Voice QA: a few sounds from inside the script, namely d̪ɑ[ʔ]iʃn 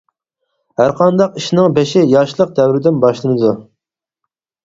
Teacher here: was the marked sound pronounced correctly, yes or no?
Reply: no